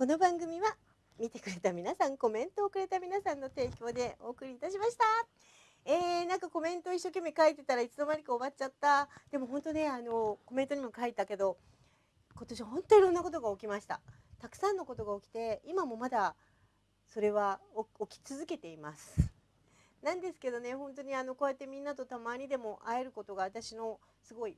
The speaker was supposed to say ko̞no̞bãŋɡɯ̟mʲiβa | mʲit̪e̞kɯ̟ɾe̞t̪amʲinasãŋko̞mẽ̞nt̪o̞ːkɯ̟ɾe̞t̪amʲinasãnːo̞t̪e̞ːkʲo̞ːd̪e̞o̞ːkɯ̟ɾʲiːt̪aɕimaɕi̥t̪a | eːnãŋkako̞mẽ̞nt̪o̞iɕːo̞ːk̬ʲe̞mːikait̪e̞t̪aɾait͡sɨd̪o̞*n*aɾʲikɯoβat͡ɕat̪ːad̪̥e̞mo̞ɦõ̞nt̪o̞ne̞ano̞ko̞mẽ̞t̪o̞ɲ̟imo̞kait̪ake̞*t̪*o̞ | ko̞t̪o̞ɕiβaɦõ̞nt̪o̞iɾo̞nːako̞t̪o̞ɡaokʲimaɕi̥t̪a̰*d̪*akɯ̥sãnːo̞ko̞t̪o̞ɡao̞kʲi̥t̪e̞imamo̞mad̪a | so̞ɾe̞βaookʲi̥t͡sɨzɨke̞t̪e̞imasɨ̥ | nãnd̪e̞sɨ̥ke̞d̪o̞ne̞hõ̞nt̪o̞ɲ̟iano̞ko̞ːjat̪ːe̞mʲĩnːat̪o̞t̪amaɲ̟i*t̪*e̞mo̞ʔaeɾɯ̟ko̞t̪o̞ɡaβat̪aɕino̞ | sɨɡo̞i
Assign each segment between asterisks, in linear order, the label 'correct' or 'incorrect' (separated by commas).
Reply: incorrect, incorrect, incorrect, incorrect